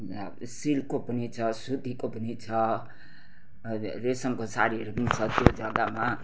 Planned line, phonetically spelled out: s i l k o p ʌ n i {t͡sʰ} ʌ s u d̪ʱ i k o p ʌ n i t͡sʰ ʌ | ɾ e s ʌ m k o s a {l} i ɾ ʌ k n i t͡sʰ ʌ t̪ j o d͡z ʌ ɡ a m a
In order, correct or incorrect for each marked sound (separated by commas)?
correct, incorrect